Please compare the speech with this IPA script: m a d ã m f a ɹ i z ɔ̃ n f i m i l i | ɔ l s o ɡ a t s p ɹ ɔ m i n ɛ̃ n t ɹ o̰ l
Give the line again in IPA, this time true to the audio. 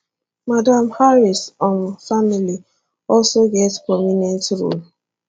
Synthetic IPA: m a d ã m h a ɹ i s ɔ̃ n f a m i l i | ɔ l s o ɡ ɛ t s p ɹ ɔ m i n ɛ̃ n t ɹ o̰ l